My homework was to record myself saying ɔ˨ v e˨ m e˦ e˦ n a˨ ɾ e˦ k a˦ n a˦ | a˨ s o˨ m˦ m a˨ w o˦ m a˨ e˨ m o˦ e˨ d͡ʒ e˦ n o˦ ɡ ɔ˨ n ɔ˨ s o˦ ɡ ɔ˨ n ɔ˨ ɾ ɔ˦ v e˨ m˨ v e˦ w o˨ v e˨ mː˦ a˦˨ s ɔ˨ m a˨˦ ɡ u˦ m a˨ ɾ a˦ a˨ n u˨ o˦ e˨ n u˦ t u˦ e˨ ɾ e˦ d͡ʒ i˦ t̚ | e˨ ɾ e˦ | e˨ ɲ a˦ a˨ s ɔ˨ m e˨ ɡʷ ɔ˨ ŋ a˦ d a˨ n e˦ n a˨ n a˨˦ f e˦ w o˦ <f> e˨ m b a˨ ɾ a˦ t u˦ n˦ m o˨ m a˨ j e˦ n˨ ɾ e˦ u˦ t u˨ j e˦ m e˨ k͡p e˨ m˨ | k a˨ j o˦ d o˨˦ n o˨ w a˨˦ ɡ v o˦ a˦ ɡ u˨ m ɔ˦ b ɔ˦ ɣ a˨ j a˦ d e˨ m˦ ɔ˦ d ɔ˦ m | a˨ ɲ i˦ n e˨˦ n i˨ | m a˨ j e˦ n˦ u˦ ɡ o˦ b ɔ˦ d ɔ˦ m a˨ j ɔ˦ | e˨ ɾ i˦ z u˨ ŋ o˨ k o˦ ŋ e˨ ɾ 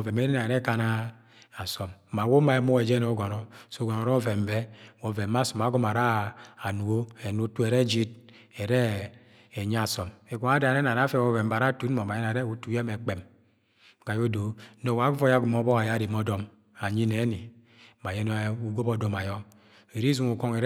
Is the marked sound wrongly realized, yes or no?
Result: yes